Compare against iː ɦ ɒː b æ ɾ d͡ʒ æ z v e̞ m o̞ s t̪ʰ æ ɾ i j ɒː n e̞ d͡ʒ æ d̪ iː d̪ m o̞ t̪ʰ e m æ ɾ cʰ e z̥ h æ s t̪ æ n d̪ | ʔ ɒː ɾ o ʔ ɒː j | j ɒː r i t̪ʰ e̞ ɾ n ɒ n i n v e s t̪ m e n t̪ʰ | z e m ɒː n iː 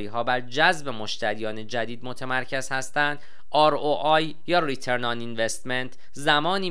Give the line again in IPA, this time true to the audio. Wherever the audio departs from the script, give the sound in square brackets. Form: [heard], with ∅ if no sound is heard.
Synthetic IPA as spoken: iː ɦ ɒː b æ ɾ d͡ʒ æ z [b] e̞ m o̞ [ʃ] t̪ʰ æ ɾ i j ɒː n e̞ d͡ʒ æ d̪ iː d̪ m o̞ t̪ʰ e m æ ɾ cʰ e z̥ h æ s t̪ æ n d̪ | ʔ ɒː ɾ o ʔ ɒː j | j ɒː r i t̪ʰ e̞ ɾ n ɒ n i n v e s t̪ m e n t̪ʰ | z [æ] m ɒː n iː